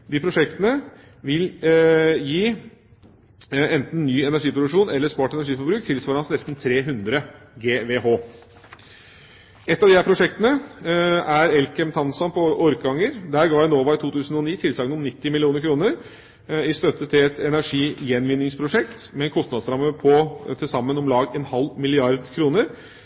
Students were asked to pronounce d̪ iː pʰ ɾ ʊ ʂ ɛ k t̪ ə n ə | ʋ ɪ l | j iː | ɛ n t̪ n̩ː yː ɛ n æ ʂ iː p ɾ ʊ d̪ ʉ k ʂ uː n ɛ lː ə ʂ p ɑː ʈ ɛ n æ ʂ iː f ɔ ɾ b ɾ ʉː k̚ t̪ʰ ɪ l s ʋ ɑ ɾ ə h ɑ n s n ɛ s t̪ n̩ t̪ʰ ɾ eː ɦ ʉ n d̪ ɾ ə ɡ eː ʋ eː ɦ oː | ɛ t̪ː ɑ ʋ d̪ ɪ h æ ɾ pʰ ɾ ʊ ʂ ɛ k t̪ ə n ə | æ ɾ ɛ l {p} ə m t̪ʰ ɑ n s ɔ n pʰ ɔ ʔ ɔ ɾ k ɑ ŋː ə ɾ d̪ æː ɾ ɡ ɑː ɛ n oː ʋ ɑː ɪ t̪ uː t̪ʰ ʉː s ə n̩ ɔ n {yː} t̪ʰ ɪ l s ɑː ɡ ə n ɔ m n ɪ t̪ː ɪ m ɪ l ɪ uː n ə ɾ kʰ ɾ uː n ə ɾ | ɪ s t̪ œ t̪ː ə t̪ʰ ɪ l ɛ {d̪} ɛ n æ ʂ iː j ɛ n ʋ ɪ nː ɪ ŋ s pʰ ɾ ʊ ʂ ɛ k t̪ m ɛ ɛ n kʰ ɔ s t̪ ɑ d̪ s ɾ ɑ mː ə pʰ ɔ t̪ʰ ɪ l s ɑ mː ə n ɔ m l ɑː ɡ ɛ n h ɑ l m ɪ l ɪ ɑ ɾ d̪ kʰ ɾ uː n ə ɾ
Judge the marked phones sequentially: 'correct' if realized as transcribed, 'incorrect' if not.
incorrect: k, incorrect: iː, incorrect: t̪

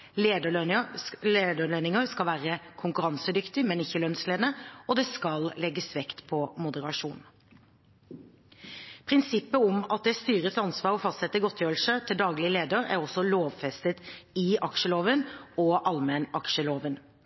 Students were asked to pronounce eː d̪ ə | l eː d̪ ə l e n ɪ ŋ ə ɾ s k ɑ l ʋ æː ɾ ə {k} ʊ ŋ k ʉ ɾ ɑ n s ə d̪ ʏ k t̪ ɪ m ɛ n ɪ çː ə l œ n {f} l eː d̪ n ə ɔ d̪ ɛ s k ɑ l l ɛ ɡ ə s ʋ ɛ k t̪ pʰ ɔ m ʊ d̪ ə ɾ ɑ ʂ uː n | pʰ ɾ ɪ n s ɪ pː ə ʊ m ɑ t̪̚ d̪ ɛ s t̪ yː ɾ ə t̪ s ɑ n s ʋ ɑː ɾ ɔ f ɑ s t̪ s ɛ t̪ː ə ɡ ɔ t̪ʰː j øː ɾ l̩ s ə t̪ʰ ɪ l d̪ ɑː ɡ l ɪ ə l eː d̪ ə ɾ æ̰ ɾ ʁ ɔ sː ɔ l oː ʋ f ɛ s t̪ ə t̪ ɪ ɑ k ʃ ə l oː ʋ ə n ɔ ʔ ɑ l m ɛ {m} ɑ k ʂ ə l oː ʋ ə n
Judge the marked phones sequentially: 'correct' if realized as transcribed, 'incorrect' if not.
incorrect: kʰ, incorrect: s, incorrect: n

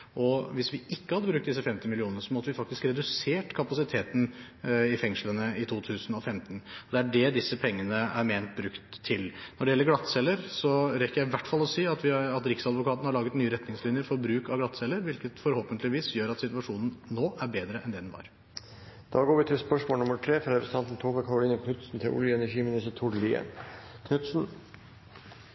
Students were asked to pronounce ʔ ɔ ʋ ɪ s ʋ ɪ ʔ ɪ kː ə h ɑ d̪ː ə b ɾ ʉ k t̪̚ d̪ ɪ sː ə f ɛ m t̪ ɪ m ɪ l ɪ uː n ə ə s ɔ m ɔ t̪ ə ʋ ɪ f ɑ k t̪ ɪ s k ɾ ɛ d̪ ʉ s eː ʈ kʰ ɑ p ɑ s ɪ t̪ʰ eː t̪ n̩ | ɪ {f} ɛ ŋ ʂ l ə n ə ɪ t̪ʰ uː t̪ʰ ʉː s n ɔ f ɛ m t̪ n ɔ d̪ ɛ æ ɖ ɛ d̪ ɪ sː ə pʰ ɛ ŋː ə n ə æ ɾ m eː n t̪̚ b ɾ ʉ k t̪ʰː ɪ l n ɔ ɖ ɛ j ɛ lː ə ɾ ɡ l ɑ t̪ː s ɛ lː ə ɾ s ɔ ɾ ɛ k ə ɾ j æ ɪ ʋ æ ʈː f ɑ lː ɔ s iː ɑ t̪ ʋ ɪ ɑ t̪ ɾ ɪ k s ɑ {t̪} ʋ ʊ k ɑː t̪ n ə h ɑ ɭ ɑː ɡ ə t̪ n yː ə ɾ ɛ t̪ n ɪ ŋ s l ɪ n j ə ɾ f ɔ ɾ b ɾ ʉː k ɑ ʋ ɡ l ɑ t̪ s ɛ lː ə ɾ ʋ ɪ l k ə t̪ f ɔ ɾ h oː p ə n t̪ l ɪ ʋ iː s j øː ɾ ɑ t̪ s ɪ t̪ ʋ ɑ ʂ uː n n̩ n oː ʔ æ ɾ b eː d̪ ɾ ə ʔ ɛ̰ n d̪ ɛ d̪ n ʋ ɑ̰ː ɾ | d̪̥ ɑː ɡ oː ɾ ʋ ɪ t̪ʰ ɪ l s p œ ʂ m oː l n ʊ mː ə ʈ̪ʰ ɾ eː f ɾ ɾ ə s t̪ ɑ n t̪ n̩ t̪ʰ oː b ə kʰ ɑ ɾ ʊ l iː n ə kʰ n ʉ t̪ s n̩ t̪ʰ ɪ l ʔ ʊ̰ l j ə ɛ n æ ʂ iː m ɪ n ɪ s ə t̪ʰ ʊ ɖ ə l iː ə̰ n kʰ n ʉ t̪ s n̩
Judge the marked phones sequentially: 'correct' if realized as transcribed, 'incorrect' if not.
correct, incorrect: d̪

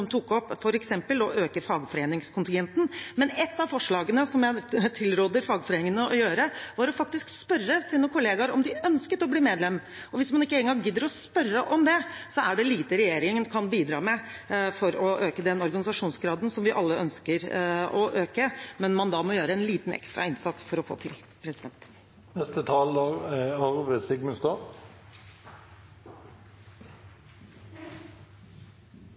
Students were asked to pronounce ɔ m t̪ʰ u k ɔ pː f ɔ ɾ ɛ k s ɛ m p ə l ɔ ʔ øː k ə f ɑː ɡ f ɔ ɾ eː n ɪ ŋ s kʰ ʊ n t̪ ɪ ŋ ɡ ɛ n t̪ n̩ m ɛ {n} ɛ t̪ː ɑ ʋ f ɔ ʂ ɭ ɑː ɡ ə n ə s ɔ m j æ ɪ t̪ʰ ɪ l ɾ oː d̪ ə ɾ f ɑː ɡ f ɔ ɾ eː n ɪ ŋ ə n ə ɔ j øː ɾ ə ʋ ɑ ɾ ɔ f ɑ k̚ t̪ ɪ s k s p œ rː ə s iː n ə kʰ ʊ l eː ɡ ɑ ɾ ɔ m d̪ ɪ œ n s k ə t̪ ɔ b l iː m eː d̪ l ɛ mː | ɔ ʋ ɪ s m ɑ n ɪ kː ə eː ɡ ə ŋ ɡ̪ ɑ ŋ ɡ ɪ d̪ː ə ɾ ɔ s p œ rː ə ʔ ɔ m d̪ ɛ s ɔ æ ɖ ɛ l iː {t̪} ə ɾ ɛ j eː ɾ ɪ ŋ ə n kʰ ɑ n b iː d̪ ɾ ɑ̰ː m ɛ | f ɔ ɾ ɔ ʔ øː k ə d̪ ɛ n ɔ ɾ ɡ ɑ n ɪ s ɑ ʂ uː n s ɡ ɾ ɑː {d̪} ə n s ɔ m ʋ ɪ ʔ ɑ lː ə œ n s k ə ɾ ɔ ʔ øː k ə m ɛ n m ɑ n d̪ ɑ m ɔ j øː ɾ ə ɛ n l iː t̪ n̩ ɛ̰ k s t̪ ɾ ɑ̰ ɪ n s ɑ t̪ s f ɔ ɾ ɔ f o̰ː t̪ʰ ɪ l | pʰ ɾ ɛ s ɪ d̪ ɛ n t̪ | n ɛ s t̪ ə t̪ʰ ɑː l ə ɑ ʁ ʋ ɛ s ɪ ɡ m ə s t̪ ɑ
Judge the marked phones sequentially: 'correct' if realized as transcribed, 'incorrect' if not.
correct, correct, correct

